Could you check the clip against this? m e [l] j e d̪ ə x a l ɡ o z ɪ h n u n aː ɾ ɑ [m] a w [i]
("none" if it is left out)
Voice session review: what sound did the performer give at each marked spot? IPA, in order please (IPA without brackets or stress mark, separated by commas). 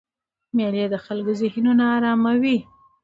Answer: l, m, i